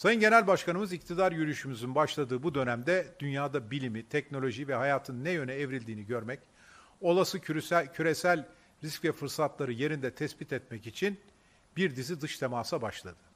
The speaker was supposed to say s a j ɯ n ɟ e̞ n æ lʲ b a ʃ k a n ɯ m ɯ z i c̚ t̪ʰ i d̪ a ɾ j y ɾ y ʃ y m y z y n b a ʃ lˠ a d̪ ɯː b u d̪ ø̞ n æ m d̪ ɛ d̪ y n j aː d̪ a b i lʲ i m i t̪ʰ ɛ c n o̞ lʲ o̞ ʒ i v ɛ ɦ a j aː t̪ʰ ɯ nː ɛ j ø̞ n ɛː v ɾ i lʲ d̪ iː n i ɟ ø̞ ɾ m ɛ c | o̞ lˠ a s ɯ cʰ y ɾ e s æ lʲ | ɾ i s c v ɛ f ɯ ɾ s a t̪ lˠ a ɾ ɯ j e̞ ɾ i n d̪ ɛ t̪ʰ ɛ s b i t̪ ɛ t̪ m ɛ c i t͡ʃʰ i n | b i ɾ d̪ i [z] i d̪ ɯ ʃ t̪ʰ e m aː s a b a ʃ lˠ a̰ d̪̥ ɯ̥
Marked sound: correct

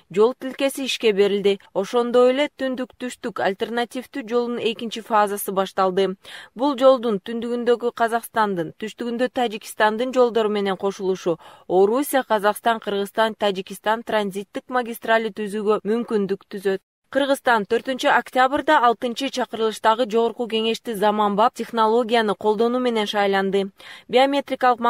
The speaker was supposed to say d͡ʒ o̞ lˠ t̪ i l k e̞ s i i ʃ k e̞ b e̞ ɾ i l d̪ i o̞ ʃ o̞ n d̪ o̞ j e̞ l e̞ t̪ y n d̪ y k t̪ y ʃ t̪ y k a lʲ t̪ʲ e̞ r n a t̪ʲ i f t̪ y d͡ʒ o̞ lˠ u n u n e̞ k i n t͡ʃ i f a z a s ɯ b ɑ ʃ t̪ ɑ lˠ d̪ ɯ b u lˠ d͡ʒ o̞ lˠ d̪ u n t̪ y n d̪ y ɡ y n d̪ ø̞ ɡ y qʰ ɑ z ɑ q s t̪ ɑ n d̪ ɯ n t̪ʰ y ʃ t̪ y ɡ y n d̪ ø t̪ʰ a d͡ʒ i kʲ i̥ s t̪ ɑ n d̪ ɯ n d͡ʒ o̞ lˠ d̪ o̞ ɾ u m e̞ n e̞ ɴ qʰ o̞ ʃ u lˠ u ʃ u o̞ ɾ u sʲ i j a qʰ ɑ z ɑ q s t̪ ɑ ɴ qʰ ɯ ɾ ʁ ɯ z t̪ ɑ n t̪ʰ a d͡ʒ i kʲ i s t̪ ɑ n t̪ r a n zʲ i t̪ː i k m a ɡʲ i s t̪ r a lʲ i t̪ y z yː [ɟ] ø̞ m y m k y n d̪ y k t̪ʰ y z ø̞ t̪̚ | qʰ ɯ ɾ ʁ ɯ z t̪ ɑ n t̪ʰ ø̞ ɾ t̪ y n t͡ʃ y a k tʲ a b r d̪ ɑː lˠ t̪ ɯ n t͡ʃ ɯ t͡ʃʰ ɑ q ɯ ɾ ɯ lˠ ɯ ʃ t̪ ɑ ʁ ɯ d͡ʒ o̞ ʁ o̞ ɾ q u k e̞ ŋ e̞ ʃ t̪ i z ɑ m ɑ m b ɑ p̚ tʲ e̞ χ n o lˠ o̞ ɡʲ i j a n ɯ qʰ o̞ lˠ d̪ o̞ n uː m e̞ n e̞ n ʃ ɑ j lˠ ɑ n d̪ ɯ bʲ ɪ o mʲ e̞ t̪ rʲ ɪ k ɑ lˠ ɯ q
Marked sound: incorrect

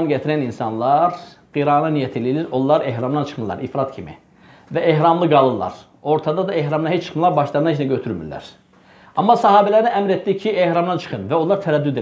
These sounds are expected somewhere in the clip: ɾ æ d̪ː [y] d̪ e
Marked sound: correct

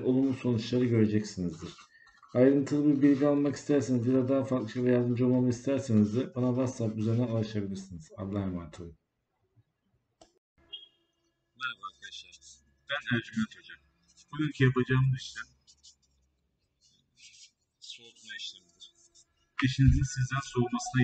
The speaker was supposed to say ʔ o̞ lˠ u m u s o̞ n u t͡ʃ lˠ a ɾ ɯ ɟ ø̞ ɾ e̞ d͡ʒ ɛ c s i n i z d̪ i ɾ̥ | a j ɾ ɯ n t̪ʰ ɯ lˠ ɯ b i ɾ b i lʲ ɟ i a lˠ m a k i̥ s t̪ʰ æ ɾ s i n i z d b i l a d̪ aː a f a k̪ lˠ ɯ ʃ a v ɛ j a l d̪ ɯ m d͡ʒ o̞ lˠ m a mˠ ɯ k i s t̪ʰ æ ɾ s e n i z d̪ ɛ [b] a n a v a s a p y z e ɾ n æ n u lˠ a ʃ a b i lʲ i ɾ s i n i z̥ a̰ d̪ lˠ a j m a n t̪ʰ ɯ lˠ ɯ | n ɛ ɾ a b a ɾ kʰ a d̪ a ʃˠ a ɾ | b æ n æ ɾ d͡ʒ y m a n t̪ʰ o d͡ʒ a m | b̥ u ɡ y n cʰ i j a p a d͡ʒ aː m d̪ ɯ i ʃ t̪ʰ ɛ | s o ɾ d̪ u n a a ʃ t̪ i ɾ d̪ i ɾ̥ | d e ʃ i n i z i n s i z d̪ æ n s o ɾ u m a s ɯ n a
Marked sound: correct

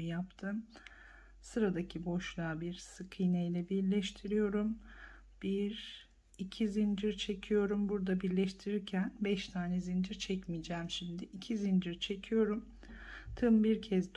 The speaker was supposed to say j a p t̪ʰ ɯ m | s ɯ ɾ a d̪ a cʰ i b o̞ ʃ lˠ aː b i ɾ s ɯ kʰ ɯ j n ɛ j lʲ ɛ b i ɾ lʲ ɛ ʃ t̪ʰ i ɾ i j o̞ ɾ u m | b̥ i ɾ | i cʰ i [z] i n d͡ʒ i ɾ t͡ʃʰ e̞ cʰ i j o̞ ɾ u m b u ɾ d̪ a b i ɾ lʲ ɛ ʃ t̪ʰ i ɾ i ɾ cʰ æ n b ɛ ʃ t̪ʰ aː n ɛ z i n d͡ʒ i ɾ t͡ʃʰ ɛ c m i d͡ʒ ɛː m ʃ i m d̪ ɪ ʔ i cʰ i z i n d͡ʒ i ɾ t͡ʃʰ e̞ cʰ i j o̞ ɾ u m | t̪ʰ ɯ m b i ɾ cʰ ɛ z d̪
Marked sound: correct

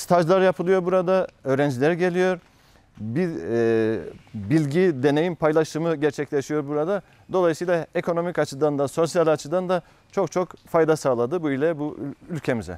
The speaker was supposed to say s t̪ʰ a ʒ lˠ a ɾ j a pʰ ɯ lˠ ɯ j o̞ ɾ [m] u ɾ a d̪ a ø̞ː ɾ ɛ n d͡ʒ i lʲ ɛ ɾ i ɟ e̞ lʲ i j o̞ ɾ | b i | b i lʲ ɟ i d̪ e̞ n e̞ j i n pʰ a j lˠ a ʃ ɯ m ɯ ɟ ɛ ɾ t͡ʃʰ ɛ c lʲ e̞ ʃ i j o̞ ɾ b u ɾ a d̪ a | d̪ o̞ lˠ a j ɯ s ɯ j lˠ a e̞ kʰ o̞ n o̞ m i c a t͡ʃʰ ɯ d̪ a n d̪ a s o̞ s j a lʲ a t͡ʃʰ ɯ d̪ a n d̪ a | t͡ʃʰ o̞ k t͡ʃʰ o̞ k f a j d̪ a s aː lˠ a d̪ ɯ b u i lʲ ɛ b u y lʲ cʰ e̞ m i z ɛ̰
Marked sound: incorrect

